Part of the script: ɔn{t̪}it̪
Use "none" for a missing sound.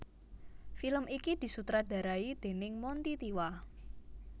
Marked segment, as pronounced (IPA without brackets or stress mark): t̪